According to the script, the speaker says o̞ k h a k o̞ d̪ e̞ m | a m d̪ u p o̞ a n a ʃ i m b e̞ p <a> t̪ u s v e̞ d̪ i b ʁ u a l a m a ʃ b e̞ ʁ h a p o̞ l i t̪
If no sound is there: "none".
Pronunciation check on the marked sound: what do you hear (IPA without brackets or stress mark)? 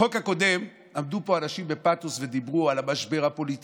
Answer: a